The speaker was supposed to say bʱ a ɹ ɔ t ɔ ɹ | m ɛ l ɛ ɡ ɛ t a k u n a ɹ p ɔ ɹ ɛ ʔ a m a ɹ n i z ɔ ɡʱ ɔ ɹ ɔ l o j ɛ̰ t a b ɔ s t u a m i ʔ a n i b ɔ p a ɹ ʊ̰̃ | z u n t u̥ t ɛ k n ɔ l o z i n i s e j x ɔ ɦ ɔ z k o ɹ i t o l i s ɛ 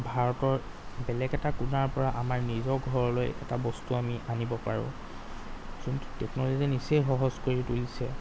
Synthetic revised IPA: bʱ a ɹ ɔ t ɔ ɹ | b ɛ l ɛ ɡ ɛ t a k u n a ɹ p ɔ ɹ a ʔ a m a ɹ n i z ɔ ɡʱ ɔ ɹ ɔ l o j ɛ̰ t a b ɔ s t u a m i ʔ a n i b ɔ p a ɹ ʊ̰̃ | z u n t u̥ t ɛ k n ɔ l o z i n i s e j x ɔ ɦ ɔ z k o ɹ i t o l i s ɛ